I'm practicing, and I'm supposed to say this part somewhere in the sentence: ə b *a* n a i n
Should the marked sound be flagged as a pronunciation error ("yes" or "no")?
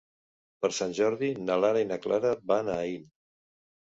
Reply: no